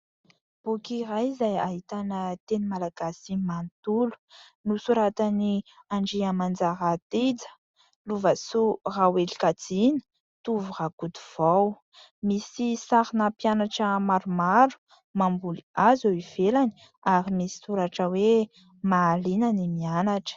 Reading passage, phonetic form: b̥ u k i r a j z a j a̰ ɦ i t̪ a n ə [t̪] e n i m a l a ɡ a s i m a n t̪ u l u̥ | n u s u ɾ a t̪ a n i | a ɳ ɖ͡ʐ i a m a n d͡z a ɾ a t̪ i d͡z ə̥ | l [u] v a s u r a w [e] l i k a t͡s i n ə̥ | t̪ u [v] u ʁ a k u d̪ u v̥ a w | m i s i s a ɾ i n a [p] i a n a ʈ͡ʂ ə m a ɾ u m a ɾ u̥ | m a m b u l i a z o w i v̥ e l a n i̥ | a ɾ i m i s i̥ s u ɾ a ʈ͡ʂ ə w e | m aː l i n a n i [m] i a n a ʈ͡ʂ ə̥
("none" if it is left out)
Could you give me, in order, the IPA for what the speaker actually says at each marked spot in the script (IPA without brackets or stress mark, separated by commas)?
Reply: t̪, u, e, v, p, m